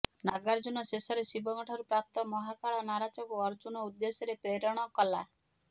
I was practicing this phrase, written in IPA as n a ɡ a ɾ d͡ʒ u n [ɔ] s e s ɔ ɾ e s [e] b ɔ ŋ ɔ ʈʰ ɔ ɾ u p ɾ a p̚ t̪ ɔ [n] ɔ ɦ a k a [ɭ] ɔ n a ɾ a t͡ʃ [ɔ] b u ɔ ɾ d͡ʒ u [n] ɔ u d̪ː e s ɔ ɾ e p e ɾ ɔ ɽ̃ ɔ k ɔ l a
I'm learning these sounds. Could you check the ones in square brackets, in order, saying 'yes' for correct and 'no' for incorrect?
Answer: yes, no, no, yes, yes, yes

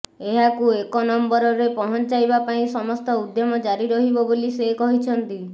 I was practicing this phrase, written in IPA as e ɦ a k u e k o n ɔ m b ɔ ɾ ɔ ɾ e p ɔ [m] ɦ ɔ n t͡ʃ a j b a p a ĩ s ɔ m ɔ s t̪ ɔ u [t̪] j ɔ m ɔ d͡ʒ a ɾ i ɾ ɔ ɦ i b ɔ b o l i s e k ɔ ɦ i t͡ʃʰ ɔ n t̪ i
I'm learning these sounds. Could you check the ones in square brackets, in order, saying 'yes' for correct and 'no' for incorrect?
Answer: no, no

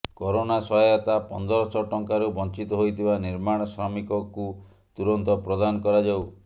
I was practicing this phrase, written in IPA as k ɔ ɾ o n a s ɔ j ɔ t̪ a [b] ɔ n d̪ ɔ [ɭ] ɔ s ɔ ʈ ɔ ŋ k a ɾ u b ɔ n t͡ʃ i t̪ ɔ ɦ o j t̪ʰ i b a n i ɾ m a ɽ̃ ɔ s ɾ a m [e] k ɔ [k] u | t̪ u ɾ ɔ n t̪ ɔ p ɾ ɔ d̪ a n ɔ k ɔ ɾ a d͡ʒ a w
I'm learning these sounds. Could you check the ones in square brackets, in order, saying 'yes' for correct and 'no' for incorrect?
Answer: no, no, no, yes

